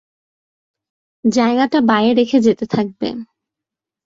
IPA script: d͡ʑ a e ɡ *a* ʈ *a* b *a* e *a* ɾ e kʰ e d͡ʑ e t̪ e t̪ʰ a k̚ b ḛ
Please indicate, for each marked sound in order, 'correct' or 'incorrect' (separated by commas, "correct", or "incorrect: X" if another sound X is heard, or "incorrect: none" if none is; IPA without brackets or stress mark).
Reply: correct, correct, correct, incorrect: e